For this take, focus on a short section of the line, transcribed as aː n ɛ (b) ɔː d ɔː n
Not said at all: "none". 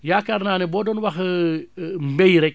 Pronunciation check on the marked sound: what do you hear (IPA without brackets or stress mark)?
b